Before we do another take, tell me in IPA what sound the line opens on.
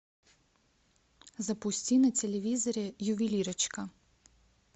z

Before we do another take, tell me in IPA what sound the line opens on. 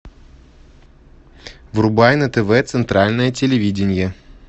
v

